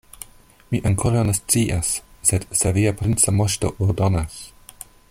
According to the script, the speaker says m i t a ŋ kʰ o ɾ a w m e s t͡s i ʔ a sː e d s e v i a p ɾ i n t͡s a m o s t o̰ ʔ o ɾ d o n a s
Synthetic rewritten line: m i ʔ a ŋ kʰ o ɾ a w n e s t͡s i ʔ a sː e d s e v i a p ɾ i n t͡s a m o ʃ t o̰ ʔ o ɾ d o n a s